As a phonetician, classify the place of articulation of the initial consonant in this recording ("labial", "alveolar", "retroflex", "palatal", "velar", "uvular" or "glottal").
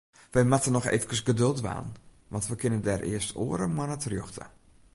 labial